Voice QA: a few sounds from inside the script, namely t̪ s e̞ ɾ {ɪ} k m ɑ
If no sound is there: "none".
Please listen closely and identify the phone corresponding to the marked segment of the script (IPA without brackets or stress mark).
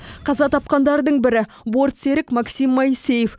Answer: ɪ